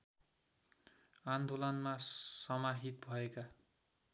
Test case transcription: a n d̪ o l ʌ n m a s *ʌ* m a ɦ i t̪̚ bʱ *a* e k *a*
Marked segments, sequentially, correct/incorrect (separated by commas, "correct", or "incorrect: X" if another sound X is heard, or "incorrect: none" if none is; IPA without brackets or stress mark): correct, incorrect: ʌ, correct